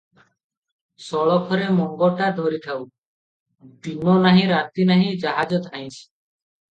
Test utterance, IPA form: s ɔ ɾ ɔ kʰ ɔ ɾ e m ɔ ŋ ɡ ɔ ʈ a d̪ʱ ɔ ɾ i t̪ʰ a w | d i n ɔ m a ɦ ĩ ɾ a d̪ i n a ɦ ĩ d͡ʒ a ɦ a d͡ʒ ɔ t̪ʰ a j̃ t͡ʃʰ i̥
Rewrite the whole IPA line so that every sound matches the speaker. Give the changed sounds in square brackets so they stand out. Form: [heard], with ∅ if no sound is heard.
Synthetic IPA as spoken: s ɔ [ɭ] ɔ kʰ ɔ ɾ e m ɔ ŋ ɡ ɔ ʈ a d̪ʱ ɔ ɾ i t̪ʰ a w | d i n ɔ [n] a ɦ ĩ ɾ a [t̪] i n a ɦ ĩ d͡ʒ a ɦ a d͡ʒ ɔ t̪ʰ a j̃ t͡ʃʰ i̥